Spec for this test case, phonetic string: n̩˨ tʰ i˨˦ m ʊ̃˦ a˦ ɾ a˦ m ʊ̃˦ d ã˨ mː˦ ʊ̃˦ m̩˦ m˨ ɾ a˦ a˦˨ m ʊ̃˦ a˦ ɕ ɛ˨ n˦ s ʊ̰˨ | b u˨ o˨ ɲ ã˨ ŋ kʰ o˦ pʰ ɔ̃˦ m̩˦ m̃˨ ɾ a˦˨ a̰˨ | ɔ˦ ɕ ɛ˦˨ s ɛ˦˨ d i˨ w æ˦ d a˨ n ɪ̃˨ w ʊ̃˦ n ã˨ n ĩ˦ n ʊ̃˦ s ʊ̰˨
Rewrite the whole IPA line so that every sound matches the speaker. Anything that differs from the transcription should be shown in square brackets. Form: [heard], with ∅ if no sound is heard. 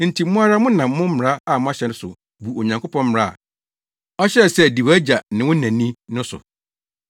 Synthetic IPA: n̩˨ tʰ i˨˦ m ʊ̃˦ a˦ ɾ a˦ m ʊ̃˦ [n] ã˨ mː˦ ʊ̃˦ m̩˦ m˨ ɾ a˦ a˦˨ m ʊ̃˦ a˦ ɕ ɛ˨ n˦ s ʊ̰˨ | b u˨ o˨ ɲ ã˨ ŋ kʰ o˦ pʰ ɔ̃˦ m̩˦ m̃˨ ɾ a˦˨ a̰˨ | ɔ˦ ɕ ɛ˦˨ s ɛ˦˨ d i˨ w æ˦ [d͡ʑ] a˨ n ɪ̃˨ w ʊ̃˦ n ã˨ n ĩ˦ n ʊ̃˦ s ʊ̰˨